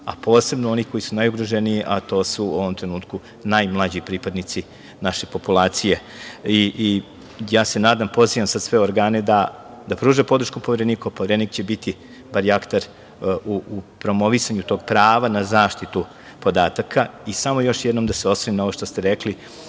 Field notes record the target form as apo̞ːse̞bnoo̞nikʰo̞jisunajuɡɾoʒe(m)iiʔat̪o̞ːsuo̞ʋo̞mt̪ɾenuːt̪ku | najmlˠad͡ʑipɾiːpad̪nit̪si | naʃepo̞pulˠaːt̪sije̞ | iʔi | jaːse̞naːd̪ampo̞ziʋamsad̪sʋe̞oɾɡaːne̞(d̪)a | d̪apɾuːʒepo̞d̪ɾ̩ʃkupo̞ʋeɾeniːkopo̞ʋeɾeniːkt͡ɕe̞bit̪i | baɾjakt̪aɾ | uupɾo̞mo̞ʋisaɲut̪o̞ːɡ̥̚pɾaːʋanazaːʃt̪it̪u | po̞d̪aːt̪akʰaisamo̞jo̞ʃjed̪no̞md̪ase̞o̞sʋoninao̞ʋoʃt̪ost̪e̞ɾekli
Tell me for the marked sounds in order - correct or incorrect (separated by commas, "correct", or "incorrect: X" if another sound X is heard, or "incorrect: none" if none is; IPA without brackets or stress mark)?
incorrect: n, correct